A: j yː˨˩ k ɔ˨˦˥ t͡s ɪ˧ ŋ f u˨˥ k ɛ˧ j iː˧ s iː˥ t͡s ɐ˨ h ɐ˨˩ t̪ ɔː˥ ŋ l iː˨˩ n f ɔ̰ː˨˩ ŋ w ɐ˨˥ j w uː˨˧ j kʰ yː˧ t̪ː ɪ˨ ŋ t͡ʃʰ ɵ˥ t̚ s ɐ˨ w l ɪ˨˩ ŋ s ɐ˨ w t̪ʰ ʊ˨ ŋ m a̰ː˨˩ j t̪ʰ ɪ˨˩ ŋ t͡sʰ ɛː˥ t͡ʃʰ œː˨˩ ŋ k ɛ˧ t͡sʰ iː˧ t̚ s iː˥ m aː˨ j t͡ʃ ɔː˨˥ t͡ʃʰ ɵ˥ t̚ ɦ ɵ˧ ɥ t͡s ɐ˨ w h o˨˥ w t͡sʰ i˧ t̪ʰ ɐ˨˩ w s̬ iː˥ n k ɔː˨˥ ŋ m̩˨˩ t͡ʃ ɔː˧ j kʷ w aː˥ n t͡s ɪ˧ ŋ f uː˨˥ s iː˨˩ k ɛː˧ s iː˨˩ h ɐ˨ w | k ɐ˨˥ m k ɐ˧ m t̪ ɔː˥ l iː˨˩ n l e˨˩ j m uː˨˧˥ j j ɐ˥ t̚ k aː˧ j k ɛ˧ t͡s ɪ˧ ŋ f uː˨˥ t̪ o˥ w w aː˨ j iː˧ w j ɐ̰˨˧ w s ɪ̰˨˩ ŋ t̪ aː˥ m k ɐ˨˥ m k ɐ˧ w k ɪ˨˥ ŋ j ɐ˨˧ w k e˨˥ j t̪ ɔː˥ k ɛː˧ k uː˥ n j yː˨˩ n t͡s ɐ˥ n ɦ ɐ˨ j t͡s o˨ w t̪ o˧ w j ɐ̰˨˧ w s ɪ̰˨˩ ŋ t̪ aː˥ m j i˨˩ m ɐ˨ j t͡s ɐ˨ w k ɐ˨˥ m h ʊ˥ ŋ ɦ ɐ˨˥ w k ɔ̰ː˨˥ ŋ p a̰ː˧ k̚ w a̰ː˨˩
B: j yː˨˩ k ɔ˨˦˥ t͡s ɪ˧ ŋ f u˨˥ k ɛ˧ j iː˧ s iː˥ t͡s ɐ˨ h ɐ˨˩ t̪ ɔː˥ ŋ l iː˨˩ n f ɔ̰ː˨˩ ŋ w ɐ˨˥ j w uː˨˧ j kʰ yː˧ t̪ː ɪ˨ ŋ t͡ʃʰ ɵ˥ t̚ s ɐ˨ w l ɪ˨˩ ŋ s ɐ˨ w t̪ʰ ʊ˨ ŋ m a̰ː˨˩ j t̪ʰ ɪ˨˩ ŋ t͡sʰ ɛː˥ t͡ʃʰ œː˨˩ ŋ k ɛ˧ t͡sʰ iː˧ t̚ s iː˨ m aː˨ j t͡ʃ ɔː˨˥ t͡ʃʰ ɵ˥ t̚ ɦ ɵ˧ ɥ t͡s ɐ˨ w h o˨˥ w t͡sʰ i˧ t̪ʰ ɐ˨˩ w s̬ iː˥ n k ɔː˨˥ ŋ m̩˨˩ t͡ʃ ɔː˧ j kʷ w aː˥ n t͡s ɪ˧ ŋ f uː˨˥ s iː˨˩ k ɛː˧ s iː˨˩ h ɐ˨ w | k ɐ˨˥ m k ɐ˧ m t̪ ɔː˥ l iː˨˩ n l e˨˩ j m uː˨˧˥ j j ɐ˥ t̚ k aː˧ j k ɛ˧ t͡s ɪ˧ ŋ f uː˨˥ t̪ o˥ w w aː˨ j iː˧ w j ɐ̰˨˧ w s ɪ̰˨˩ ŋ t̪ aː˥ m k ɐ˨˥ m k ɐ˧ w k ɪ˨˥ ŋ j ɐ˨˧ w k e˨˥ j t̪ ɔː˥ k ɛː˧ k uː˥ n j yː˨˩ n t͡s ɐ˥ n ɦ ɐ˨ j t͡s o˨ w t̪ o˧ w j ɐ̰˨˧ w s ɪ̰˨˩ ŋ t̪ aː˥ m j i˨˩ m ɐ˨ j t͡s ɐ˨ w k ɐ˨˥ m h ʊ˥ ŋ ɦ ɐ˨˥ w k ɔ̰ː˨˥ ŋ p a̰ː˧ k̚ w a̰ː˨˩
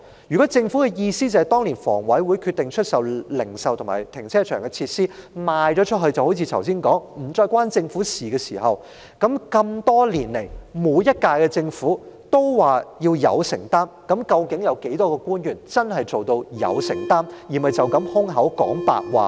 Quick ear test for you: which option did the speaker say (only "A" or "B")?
A